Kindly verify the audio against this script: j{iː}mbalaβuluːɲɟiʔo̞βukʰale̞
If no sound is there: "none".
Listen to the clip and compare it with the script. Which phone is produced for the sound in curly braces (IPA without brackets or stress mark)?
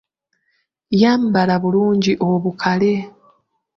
aː